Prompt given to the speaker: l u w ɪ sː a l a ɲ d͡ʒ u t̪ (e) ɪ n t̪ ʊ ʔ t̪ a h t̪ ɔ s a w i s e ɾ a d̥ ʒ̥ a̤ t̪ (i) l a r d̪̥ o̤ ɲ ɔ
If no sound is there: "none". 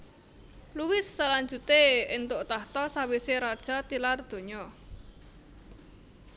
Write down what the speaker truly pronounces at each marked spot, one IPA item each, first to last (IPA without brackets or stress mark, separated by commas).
e, i